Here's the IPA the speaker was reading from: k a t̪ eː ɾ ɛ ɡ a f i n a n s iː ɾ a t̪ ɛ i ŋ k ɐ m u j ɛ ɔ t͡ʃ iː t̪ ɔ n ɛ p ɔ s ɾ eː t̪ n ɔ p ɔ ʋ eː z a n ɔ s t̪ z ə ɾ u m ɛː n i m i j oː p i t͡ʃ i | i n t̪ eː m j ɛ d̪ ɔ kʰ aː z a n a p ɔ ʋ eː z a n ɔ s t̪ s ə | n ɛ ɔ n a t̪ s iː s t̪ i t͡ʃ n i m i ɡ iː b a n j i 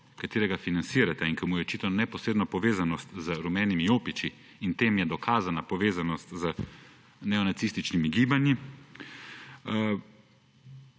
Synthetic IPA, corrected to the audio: k a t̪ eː ɾ ɛ ɡ a f i n a n s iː ɾ a t̪ ɛ i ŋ k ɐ m u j ɛ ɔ t͡ʃ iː t̪ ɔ n ɛ p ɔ s ɾ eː d̪ n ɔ p ɔ ʋ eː z a n ɔ s t̪ z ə ɾ u m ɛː n i m i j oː p i t͡ʃ i | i n t̪ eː m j ɛ d̪ ɔ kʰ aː z a n a p ɔ ʋ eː z a n ɔ s t̪ z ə | n ɛ ɔ n a t̪ s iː s t̪ i t͡ʃ n i m i ɡ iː b a n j i

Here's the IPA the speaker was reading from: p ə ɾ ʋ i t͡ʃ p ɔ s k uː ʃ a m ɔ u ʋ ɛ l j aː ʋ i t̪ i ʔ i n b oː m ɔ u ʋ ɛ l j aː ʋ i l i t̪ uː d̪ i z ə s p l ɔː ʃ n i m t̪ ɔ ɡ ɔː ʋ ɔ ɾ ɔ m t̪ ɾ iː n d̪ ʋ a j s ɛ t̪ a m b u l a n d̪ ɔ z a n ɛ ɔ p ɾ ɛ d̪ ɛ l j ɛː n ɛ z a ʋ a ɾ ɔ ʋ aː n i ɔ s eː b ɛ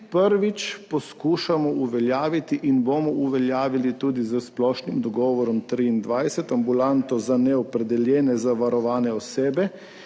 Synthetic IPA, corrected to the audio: p ə ɾ ʋ i t͡ʃ p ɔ s k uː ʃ a m ɔ u ʋ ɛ l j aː ʋ i t̪ i ʔ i n b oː m ɔ u ʋ ɛ l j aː ʋ i l i t̪ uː d̪ i z ə s p l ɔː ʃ n i m d̪ ɔ ɡ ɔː ʋ ɔ ɾ ɔ m t̪ ɾ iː n d̪ ʋ a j s ɛ t̪ a m b u l a n t̪ ɔ z a n ɛ ɔ p ɾ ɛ d̪ ɛ l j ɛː n ɛ z a ʋ a ɾ ɔ ʋ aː n ɛ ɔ s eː b ɛ

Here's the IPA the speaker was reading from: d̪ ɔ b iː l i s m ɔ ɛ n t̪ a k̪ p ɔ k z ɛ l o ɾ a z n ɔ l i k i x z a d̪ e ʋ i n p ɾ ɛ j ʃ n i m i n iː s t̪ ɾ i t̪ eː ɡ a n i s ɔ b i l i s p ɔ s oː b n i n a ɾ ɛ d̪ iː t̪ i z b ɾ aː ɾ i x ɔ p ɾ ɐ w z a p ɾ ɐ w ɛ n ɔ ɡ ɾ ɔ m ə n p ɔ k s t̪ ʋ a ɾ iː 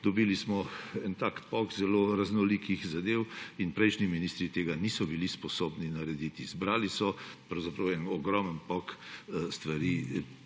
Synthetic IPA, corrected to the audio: d̪ ɔ b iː l i s m ɔ ɛ n t̪ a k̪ p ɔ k z ɛ l o ɾ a z n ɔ l i k i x z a d̪ e w i n p ɾ ɛ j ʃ n i m i n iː s t̪ ɾ i t̪ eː ɡ a n i s ɔ b i l i s p ɔ s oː b n i n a ɾ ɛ d̪ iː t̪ i z b ɾ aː l i s ɔ p ɾ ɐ w z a p ɾ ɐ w ɛ n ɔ ɡ ɾ ɔ m ə n p ɔ k s t̪ ʋ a ɾ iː

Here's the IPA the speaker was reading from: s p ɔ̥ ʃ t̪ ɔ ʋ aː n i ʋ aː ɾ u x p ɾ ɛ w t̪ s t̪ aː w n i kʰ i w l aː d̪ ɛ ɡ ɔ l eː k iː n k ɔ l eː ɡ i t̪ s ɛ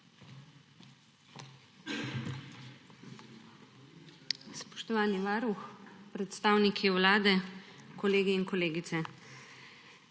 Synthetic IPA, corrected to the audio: s p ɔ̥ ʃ t̪ ɔ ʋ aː n i ʋ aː ɾ u x p ɾ ɛ t̪ s t̪ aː w n i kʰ i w l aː d̪ ɛ k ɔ l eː ɡ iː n k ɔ l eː ɡ i t̪ s ɛ

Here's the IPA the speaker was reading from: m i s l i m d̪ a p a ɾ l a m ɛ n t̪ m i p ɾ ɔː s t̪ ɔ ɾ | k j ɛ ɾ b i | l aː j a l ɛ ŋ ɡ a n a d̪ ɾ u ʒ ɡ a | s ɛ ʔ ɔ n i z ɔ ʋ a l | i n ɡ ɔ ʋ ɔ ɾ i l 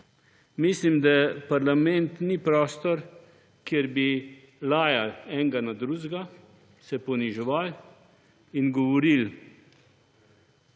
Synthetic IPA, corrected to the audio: m i s l i m d̪ a p a ɾ l a m ɛ n t̪ n i p ɾ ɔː s t̪ ɔ ɾ | k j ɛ ɾ b i | l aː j a l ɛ ŋ ɡ a n a d̪ ɾ u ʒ ɡ a | s ɛ p ɔ n i ʒ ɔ ʋ a l | i n ɡ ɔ ʋ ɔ ɾ i l

